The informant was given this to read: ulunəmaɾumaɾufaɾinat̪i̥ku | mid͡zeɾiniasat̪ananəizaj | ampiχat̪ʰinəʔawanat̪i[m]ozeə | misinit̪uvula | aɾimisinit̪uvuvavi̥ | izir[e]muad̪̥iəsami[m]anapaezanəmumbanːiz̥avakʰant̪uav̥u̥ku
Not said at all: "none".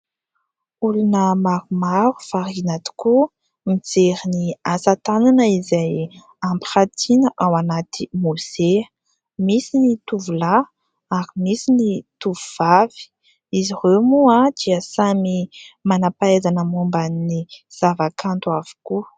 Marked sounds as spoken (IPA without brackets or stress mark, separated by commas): m, e, m